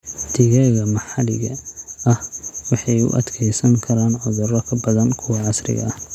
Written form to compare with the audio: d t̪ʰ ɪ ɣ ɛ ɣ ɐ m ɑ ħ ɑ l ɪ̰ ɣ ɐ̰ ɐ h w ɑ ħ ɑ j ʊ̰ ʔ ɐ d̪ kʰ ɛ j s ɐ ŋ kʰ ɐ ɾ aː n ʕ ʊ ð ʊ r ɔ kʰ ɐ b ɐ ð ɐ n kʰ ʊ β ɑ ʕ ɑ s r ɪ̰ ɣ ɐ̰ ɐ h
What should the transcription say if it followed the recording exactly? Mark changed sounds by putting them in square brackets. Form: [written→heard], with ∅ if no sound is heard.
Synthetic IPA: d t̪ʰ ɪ ɣ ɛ ɣ ɐ m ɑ ħ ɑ l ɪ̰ ɣ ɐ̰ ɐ h w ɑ ħ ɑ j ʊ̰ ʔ ɐ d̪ kʰ ɛ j s ɐ ŋ kʰ ɐ ɾ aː n ʕ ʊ ð ʊ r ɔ kʰ ɐ b ɐ ð ɐ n kʰ ʊ [β→w] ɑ ʕ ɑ s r ɪ̰ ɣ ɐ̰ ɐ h